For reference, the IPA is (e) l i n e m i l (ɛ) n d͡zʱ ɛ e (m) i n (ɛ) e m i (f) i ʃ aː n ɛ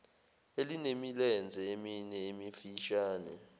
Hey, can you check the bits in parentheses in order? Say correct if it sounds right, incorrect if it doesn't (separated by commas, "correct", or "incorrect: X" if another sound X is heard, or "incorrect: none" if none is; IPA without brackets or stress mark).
correct, correct, correct, correct, correct